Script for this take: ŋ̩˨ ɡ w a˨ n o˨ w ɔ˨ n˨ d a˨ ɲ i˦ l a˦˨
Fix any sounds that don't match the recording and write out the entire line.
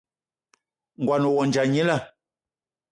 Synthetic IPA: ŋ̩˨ ɡ w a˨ n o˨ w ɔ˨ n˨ d͡ʒ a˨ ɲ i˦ l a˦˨